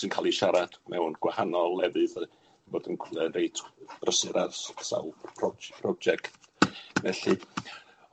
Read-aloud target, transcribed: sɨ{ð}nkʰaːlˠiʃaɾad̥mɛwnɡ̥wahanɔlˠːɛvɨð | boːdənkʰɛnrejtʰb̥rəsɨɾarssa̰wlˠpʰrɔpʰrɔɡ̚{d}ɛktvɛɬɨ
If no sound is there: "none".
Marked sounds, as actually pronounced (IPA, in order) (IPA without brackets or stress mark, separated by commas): none, d͡ʒ